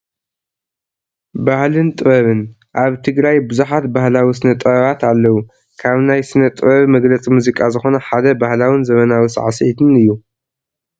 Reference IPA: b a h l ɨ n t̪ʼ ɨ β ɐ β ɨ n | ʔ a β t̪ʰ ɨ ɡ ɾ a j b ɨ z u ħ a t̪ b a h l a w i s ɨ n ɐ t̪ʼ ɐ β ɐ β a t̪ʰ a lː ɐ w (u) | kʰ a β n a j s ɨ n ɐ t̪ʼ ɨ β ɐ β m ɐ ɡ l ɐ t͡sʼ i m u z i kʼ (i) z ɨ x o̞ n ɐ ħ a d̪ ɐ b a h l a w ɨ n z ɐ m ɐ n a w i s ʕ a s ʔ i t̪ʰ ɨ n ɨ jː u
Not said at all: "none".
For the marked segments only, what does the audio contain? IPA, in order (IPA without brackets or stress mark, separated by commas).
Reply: u, a